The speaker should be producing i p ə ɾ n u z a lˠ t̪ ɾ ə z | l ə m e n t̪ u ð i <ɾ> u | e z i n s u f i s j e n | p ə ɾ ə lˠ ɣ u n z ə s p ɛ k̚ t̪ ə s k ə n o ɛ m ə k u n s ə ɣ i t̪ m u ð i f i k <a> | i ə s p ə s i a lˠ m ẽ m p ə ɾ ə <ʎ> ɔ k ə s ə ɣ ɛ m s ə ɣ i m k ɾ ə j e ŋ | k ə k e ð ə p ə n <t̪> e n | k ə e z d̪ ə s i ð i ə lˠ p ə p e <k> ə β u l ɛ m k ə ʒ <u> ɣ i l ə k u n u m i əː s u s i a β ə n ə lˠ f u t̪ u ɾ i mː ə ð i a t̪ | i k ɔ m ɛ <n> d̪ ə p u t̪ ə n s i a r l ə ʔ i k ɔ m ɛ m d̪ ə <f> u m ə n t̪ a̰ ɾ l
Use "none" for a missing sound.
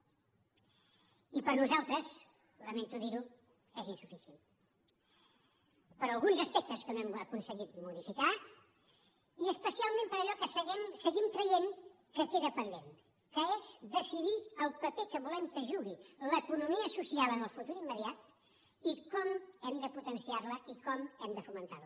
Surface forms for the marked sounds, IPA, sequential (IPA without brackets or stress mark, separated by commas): ɾ, a, ʎ, d̪, k, u, m, f